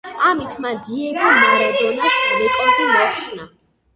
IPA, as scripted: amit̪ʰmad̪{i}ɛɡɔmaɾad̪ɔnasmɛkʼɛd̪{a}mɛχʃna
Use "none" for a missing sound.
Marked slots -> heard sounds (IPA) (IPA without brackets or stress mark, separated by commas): i, i